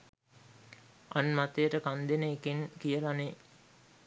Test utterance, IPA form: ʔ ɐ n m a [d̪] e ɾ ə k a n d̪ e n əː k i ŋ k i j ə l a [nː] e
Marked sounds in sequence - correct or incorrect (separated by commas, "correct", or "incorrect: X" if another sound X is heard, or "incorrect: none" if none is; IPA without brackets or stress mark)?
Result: incorrect: t̪, incorrect: n